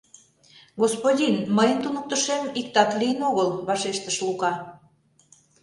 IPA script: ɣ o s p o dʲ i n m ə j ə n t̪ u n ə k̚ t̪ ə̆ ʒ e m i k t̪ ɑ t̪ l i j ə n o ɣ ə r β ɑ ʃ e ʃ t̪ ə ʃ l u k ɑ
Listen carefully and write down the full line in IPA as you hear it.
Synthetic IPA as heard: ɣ o s p o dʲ i n m ə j ə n t̪ u n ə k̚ t̪ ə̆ ʃ e m i k t̪ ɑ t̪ l i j ə n o ɣ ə l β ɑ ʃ e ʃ t̪ ə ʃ l u k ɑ